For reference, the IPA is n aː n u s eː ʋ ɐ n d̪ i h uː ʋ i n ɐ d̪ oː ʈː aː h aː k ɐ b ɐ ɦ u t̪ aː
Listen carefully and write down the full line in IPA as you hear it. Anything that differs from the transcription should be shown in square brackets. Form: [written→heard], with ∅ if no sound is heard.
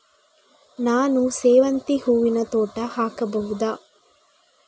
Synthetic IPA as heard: n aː n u s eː ʋ ɐ n [d̪→t̪] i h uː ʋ i n ɐ [d̪→t̪] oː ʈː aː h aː k ɐ b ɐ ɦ u [t̪→d̪] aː